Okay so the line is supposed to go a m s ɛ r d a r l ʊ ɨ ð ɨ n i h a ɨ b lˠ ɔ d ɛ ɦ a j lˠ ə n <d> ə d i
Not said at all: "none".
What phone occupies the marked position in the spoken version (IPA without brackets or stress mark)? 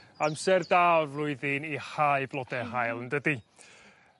d